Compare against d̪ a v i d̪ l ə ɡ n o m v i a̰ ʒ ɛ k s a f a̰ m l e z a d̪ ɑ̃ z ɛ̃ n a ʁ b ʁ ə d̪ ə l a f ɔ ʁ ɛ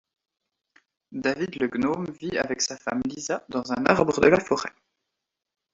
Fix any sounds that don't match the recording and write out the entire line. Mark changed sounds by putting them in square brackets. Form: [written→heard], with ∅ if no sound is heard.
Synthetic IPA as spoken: d̪ a v i d̪ l ə ɡ n o m v i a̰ [ʒ→v] ɛ k s a f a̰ m l [e→i] z a d̪ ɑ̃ z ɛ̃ n a ʁ b ʁ ə d̪ ə l a f ɔ ʁ ɛ